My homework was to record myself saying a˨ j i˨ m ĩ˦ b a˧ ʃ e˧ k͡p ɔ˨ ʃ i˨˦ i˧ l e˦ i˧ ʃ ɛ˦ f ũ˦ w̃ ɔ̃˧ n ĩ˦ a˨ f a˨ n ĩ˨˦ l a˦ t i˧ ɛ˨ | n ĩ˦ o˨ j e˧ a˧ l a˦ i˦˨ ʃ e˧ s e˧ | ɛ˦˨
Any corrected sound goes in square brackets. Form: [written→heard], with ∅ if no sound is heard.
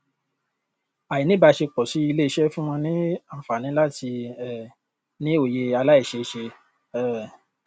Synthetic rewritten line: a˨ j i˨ [m→n] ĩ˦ b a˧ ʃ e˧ k͡p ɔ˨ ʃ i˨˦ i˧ l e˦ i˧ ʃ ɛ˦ f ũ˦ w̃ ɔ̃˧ n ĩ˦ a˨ f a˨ n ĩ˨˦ l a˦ t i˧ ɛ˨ | n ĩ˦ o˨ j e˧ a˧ l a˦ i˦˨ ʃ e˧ [s→ʃ] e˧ | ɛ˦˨